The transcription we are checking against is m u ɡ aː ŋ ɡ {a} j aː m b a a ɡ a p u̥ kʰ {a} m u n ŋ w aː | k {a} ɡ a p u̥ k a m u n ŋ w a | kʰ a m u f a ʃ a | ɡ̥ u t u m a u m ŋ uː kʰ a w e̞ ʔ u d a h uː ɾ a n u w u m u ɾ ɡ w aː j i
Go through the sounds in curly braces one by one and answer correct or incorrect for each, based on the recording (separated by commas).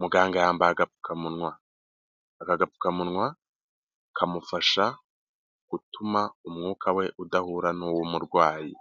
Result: correct, correct, correct